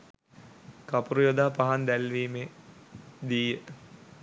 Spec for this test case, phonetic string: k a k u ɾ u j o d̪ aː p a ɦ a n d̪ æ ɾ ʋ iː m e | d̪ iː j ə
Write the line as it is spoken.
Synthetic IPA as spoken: k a p u ɾ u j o d̪ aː p a ɦ a n d̪ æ l ʋ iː m e | d̪ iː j ə